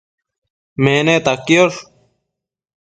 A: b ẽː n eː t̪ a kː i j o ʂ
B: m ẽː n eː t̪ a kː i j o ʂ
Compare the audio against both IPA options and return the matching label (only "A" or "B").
B